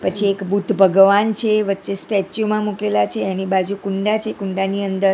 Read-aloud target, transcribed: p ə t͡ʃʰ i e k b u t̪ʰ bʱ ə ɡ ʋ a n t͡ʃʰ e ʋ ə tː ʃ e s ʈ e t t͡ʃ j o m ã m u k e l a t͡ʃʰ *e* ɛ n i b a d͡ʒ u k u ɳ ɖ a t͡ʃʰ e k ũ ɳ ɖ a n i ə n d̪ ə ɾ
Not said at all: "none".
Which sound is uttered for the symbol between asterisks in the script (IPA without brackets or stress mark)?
e